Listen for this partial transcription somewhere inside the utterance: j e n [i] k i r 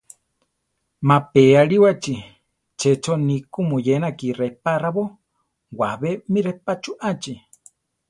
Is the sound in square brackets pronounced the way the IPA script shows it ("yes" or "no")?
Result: no